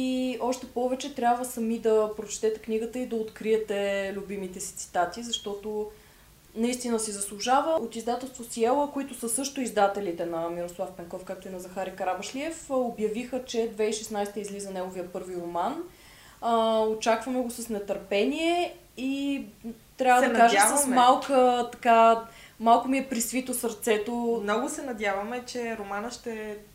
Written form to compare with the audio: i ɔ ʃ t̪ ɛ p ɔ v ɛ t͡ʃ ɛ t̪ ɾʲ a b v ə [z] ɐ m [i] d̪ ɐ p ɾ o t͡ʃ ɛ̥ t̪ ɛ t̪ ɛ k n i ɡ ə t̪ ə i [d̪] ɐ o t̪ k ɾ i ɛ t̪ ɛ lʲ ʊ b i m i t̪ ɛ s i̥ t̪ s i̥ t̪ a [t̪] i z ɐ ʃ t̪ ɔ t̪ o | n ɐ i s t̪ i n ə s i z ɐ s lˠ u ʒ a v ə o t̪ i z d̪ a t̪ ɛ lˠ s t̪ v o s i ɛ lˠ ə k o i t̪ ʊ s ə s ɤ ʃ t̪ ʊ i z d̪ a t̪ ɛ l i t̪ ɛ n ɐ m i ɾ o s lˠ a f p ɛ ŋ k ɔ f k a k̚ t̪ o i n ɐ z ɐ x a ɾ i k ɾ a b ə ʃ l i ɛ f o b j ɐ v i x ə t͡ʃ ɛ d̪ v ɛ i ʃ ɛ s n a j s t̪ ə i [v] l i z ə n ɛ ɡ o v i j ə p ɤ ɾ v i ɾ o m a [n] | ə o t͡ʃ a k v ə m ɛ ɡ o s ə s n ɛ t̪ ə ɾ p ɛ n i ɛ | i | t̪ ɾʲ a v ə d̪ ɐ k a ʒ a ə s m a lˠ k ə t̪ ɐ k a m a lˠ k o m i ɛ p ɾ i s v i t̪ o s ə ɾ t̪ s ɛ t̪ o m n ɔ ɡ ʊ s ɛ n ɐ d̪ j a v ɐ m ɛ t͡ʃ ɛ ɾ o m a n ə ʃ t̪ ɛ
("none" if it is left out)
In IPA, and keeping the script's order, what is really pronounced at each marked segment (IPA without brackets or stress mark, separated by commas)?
s, i, d̪, t̪, z, n